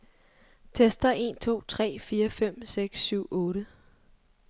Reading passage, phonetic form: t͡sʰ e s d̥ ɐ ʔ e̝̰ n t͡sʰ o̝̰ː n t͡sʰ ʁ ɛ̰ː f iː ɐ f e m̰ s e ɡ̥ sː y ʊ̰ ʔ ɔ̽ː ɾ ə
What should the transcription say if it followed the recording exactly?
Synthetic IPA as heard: t͡sʰ e s d̥ ɐ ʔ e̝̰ n t͡sʰ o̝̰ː t͡sʰ ʁ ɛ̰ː f iː ɐ f e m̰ s e ɡ̥ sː y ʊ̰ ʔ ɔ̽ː ɾ ə